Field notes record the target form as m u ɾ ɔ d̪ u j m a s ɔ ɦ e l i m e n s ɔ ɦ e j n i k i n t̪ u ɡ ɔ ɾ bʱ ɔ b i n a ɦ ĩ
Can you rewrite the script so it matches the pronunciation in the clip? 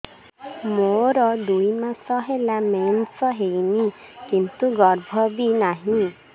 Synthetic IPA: m o ɾ ɔ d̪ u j m a s ɔ ɦ e l a m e n s ɔ ɦ e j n i k i n t̪ u ɡ ɔ ɾ bʱ ɔ b i n a ɦ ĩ